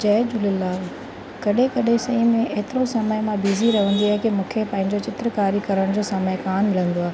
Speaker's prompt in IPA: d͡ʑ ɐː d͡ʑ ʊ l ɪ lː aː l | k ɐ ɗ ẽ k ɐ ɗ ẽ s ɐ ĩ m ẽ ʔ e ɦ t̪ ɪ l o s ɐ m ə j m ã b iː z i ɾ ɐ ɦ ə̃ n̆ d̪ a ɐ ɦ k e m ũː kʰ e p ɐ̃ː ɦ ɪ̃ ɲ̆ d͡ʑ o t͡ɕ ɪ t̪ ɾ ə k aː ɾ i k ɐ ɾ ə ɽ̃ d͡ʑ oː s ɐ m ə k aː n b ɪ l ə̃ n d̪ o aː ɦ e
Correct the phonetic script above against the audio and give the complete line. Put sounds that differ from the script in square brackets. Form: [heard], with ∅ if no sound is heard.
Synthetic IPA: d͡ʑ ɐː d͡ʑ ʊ l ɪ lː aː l | k ɐ ɗ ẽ k ɐ ɗ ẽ s ɐ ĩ m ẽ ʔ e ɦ t̪ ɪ [ɾ] o s ɐ m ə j m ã b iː z i ɾ ɐ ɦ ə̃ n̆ d̪ [i] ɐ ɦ k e m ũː kʰ e p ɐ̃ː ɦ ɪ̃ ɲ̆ d͡ʑ o t͡ɕ ɪ t̪ ɾ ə k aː ɾ i k ɐ ɾ ə ɽ̃ d͡ʑ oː s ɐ m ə k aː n [m] ɪ l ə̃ n d̪ o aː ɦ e